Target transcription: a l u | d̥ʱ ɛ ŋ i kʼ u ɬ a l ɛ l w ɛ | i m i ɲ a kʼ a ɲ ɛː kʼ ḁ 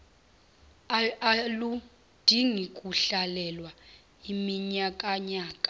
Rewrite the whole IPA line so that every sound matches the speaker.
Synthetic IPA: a l u | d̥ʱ i ŋ i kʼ u ɬ a l ɛ l w a | i m i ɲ a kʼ a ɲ aː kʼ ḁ